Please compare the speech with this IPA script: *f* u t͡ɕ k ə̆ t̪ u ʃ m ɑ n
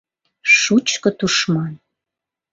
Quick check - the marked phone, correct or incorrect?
incorrect: ʃ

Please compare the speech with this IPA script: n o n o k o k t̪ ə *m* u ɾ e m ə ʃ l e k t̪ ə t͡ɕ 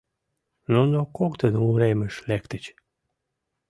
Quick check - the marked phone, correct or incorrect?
incorrect: n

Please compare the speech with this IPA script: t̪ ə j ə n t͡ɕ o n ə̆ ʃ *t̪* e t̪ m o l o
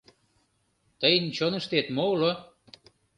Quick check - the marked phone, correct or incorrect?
correct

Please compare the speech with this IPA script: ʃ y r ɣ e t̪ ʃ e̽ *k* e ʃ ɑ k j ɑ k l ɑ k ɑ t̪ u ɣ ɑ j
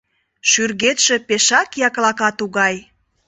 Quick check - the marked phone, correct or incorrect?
incorrect: p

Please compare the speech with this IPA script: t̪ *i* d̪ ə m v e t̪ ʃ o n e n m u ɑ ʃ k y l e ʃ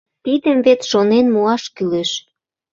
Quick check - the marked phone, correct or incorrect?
correct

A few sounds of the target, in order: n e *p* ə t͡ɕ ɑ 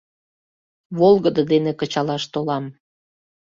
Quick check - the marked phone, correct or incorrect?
incorrect: k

